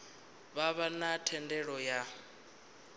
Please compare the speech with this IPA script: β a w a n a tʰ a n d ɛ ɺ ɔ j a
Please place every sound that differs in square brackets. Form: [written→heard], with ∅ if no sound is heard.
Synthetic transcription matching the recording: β a [w→β] a n a tʰ [a→ɛ] n d ɛ ɺ ɔ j a